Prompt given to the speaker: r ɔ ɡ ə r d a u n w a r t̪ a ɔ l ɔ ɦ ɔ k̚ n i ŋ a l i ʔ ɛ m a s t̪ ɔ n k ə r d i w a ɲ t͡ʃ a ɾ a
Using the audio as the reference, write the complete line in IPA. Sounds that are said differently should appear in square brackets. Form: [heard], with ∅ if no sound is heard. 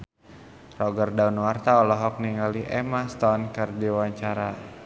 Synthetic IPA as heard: r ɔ ɡ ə r d a u n w a r t̪ a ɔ l ɔ ɦ ɔ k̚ n i ŋ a l i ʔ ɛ m a s t̪ ɔ n k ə r d i w a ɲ t͡ʃ a ɾ a